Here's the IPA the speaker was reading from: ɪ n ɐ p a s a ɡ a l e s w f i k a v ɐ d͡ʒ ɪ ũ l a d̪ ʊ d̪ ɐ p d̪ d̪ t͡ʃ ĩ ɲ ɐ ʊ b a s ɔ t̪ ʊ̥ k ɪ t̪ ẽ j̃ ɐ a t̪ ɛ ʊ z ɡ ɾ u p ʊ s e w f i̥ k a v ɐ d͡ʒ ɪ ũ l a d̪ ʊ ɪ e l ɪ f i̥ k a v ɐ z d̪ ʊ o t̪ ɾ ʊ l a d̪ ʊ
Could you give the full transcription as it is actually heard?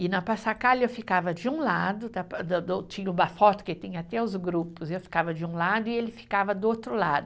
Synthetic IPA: ɪ n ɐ p a s a k a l e w f i k a v ɐ d͡ʒ ɪ ũ l a d̪ ʊ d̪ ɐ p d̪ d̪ t͡ʃ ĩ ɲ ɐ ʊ b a f ɔ t̪ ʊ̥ k ɪ t̪ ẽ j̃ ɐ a t̪ ɛ ʊ z ɡ ɾ u p ʊ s e w f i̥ k a v ɐ d͡ʒ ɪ ũ l a d̪ ʊ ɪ e l ɪ f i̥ k a v ɐ d̪ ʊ o t̪ ɾ ʊ l a d̪ ʊ